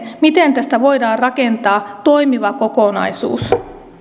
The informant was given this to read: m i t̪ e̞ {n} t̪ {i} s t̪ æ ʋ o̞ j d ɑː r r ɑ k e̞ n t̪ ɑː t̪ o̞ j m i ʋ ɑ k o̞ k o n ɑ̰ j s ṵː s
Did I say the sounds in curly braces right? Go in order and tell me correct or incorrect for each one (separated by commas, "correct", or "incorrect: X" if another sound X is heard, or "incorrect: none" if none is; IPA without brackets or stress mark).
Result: correct, incorrect: æ